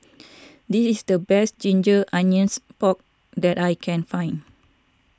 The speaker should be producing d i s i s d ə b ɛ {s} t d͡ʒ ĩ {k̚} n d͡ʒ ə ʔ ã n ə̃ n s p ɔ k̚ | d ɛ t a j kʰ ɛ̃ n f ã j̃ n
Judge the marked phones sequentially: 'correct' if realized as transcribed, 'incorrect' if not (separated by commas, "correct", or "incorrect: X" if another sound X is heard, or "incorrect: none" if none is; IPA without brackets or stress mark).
correct, incorrect: none